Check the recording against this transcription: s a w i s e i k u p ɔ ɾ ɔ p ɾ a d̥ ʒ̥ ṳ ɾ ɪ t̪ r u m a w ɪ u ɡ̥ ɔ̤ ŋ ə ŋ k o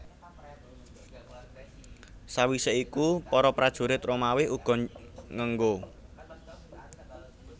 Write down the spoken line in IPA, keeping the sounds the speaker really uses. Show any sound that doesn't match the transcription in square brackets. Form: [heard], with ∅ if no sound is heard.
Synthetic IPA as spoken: s a w i s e i k u p ɔ ɾ ɔ p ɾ a d̥ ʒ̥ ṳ ɾ ɪ t̪ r [o] m a w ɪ u ɡ̥ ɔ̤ ŋ ə ŋ [ɡ] o

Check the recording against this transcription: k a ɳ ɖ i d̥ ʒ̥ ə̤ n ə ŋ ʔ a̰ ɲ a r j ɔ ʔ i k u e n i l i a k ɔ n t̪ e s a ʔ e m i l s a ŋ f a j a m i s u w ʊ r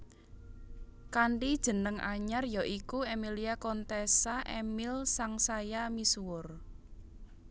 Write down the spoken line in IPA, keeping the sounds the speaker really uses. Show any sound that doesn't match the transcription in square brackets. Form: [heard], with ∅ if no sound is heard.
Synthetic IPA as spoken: k a ɳ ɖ i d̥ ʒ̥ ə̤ n ə ŋ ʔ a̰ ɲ a r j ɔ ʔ i k u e [m] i l i a k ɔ n t̪ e s a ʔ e m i l s a ŋ [s] a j a m i s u w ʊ r

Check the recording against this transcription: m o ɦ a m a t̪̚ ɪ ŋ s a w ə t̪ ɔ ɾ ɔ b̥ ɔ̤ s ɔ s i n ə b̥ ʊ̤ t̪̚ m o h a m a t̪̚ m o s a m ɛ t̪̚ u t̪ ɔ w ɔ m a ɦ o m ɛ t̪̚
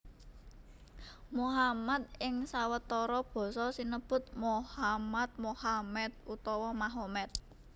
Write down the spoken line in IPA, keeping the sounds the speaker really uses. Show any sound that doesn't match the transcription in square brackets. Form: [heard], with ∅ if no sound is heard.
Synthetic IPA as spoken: m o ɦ a m a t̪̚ ɪ ŋ s a w ə t̪ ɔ ɾ ɔ b̥ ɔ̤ s ɔ s i n ə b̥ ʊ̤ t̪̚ m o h a m a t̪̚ m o [h] a m ɛ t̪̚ u t̪ ɔ w ɔ m a ɦ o m ɛ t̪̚

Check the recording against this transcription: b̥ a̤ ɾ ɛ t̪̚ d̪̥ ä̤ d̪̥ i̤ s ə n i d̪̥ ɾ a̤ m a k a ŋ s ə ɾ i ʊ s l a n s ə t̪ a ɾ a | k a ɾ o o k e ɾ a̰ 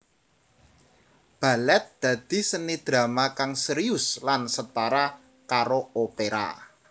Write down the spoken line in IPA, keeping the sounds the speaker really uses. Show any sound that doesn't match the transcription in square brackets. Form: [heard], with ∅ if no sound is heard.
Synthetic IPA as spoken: b̥ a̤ [l] ɛ t̪̚ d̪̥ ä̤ d̪̥ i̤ s ə n i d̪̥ ɾ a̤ m a k a ŋ s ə ɾ i ʊ s l a n s ə t̪ a ɾ a | k a ɾ o o [p] e ɾ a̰

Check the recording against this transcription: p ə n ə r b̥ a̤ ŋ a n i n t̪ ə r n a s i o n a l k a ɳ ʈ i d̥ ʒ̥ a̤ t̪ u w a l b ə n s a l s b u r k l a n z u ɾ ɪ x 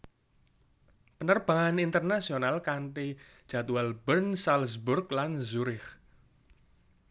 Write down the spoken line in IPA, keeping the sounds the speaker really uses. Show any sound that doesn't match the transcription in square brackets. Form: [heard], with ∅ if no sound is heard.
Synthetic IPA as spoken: p ə n ə r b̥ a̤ ŋ a n i n t̪ ə r n a s i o n a l k a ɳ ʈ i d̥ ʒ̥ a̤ t̪ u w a l b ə n s a l s b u r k l a n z u ɾ ɪ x

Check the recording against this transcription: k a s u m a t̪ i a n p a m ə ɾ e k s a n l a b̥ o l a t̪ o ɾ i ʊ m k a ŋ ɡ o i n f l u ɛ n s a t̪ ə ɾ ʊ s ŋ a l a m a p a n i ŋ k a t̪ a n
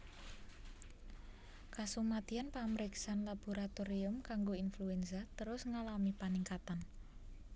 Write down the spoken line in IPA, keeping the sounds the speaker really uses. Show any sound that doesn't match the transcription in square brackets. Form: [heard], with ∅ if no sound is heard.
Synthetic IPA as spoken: k a s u m a t̪ i a n p a m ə ɾ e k s a n l a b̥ o [ɾ] a t̪ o ɾ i ʊ m k a ŋ ɡ o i n f l u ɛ n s a t̪ ə ɾ ʊ s ŋ a l a m [i] p a n i ŋ k a t̪ a n

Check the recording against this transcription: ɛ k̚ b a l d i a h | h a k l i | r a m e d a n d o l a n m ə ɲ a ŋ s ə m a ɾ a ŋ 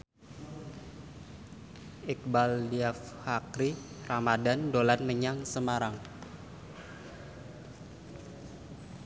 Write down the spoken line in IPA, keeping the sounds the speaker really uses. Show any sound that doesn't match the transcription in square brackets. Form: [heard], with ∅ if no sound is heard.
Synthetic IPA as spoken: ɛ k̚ b a l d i a [f] | h a k [ɾ] i | r a m [a] d a n d o l a n m ə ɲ a ŋ s ə m a ɾ a ŋ

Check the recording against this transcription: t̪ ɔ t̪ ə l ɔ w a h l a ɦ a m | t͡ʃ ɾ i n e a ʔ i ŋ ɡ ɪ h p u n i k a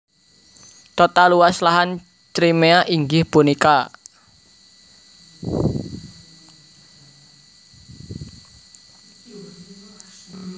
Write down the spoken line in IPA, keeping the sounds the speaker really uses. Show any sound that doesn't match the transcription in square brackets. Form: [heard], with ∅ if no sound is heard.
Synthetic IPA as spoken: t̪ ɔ t̪ [a] l [u] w a [s] l a ɦ a [n] | t͡ʃ ɾ i [m] e a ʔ i ŋ ɡ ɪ h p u n i k a

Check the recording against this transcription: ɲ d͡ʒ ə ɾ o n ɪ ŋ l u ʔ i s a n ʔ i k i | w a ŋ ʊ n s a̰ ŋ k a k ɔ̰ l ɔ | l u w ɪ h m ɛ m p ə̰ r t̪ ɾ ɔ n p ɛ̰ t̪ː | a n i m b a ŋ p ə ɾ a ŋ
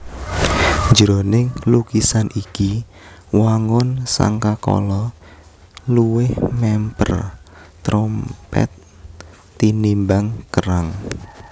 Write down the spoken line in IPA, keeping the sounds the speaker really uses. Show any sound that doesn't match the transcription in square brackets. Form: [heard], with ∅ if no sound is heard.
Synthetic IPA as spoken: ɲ d͡ʒ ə ɾ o n ɪ ŋ l u [k] i s a n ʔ i k i | w a ŋ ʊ n s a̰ ŋ k a k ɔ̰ l ɔ | l u w ɪ h m ɛ m p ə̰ r t̪ ɾ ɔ [m] p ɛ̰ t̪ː | [i] n i m b a ŋ [k] ə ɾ a ŋ

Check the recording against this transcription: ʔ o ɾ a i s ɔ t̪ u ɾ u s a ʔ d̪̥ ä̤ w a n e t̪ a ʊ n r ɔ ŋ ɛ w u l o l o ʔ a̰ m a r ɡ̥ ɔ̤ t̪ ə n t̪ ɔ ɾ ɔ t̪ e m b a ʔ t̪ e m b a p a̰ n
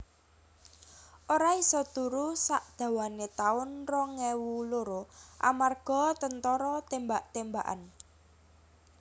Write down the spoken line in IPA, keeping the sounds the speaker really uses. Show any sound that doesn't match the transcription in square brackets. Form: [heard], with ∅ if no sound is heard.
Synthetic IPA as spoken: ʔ o ɾ a i s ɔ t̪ u ɾ u s a ʔ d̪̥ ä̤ w a n e t̪ a ʊ n r ɔ ŋ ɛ w u l o [ɾ] o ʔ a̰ m a r ɡ̥ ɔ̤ t̪ ə n t̪ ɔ ɾ ɔ t̪ e m b a ʔ t̪ e m b a [ʔ] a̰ n

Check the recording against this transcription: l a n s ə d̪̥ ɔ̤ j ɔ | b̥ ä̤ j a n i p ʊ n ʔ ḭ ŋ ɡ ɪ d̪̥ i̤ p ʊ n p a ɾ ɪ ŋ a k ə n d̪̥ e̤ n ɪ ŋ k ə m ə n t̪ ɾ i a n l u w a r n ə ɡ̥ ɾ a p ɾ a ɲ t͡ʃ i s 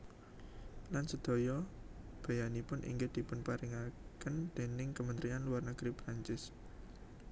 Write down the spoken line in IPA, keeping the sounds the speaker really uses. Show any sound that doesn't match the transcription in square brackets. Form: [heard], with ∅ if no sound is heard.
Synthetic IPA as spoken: l a n s ə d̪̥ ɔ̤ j ɔ | b̥ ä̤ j a n i p ʊ n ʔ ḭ ŋ ɡ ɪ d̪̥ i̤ p ʊ n p a ɾ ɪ ŋ a k ə n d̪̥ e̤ n ɪ ŋ k ə m ə n t̪ ɾ i a n l u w a r n ə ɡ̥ ɾ [i] p ɾ a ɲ t͡ʃ [ɪ] s

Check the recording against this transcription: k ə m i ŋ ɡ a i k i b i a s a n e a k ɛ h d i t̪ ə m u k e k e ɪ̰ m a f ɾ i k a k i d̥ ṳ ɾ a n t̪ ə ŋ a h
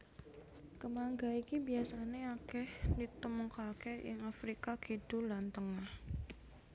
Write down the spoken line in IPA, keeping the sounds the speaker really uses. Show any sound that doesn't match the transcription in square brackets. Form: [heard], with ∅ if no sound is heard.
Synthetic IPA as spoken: k ə m [a] ŋ ɡ a i k i b i a s a n e a k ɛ h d i t̪ ə m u k [a] k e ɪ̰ [ŋ] a f ɾ i k a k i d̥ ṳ [l] a n t̪ ə ŋ a h

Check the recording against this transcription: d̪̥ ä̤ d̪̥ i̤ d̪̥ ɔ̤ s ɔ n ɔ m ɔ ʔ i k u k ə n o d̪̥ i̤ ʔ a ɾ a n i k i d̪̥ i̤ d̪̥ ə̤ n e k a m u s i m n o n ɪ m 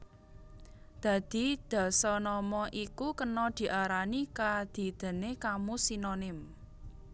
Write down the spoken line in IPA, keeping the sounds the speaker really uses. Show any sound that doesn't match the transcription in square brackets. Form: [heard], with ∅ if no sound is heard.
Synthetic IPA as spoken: d̪̥ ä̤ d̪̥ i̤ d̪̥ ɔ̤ s ɔ n ɔ m ɔ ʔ i k u k ə n [ɔ] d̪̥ i̤ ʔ a ɾ a n i k [a] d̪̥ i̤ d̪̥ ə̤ n e k a m u s i [∅] n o n ɪ m

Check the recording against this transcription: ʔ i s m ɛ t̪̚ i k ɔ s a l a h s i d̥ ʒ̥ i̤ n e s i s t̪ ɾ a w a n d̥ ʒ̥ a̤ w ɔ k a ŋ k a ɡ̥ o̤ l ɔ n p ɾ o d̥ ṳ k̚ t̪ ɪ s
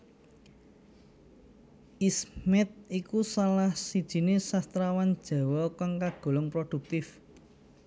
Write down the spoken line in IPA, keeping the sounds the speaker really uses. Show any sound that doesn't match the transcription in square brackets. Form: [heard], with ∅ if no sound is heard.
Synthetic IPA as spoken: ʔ i s m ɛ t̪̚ i k [u] s a l a h s i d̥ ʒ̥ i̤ n e s [a] s t̪ ɾ a w a n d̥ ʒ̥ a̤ w ɔ k a ŋ k a ɡ̥ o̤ l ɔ [ŋ] p ɾ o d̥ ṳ k̚ t̪ ɪ [f]

